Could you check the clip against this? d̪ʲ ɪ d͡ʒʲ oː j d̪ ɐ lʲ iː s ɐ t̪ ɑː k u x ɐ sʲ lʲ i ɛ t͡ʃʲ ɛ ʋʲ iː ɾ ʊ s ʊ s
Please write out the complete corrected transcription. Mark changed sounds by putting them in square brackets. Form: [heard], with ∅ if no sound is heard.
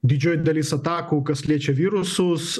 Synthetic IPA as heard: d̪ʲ ɪ d͡ʒʲ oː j d̪ ɐ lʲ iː s ɐ t̪ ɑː k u [k] ɐ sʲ lʲ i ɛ t͡ʃʲ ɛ ʋʲ iː ɾ ʊ s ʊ s